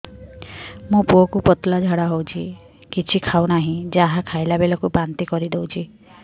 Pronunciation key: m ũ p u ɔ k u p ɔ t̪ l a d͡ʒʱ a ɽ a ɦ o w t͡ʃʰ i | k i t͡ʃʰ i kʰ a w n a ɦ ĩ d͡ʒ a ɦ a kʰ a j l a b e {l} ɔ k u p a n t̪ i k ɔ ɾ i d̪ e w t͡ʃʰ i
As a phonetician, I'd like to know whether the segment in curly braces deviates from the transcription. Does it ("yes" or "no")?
no